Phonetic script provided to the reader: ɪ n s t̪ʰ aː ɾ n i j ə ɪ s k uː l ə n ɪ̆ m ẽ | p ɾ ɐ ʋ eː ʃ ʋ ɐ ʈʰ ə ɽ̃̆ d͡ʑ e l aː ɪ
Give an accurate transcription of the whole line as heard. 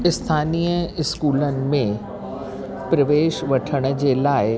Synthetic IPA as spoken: ɪ s t̪ʰ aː n i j ə ɪ s k uː l ə n ɪ̆ m ẽ | p ɾ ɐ ʋ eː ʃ ʋ ɐ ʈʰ ə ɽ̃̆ d͡ʑ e l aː ɪ

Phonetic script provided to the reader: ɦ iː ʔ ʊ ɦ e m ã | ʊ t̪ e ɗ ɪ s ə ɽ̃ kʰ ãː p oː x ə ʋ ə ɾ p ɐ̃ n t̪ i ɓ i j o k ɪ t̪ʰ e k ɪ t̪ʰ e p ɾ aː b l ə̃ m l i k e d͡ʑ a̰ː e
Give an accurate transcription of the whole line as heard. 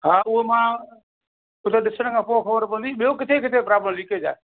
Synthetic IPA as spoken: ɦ aː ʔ ʊ ɦ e m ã | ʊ t̪ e ɗ ɪ s ə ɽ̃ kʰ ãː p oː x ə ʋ ə ɾ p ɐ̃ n d̪ i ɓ i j o k ɪ t̪ʰ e k ɪ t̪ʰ e p ɾ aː b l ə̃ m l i k e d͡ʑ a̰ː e

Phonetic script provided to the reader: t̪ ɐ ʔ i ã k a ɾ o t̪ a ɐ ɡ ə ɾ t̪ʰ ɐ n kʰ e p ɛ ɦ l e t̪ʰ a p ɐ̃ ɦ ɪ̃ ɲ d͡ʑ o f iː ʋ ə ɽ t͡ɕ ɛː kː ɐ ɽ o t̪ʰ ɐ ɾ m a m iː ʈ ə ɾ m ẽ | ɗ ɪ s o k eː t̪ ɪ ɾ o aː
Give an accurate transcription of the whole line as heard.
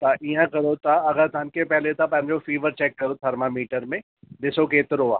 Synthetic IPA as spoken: t̪ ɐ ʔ i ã k ɐ ɾ o t̪ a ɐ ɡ ə ɾ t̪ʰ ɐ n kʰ e p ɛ ɦ l e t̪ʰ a p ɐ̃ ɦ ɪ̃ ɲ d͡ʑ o f iː ʋ ə ɾ t͡ɕ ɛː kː ɐ ɾ o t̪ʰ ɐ ɾ m a m iː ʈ ə ɾ m ẽ | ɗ ɪ s o k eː t̪ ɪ ɾ o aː

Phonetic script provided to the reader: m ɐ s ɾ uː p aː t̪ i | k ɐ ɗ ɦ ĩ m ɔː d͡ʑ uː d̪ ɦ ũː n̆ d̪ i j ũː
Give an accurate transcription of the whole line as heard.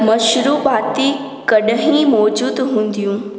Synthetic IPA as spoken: m ɐ ʃ ɾ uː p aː t̪ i | k ɐ ɗ ɦ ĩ m ɔː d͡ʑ uː d̪ ɦ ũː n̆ d̪ i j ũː

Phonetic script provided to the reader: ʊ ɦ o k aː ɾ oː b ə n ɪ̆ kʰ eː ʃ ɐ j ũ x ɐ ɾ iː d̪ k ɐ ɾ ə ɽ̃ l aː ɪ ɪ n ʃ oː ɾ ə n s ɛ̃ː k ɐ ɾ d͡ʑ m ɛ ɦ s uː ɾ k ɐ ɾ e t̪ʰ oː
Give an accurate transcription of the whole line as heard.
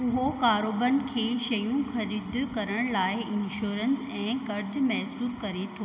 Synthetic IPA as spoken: ʊ ɦ o k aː ɾ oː b ə n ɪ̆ kʰ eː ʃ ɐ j ũ x ɐ ɾ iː d̪ k ɐ ɾ ə ɽ̃ l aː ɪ ɪ n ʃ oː ɾ ə n s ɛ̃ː k ɐ ɾ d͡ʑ m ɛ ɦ s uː ɾ k ɐ ɾ e t̪ʰ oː

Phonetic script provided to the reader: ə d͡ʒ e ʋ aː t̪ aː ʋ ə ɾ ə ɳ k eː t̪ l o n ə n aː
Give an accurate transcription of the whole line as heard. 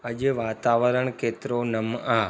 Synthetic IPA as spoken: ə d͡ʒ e ʋ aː t̪ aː ʋ ə ɾ ə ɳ k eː t̪ ɾ o n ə m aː

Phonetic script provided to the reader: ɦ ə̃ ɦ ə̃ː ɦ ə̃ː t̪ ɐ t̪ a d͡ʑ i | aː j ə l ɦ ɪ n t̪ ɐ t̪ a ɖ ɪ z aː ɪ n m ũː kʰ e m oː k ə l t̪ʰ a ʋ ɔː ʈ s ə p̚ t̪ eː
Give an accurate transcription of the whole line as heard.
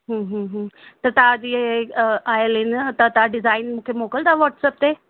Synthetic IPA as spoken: ɦ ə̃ ɦ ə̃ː ɦ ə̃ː t̪ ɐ t̪ a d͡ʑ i | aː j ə l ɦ ɪ n t̪ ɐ t̪ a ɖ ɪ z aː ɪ n m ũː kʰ e m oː k ə l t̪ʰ a ʋ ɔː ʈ s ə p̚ t̪ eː

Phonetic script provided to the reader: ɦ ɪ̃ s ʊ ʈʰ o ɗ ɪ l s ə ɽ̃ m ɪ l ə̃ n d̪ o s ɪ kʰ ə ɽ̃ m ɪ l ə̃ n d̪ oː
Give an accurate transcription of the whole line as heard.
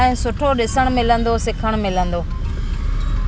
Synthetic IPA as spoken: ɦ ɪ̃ s ʊ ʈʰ o ɗ ɪ s ə ɽ̃ m ɪ l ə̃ n d̪ o s ɪ kʰ ə ɽ̃ m ɪ l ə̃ n d̪ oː

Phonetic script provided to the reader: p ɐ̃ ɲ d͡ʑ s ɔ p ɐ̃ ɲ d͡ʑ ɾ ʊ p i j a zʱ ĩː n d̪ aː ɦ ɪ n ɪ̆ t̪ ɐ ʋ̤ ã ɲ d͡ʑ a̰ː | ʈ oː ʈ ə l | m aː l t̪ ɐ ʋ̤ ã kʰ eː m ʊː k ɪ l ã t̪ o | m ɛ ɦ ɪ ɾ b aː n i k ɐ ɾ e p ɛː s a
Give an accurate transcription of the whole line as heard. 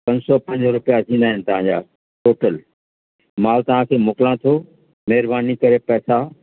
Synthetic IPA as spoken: p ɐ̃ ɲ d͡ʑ s ɔ p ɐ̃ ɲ d͡ʑ ɾ ʊ p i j a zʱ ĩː n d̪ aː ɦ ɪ n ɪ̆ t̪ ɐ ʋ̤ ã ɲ d͡ʑ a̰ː | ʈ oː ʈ ə l | m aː l t̪ ɐ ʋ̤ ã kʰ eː m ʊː k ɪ l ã t̪ʰ o | m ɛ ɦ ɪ ɾ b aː n i k ɐ ɾ e p ɛː s a

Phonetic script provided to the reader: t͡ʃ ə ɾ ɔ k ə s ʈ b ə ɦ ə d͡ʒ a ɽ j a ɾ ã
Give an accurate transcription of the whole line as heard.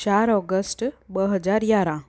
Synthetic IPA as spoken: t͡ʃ a ɾ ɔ ɡ ə s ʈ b ə ɦ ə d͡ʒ a ɾ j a ɾ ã

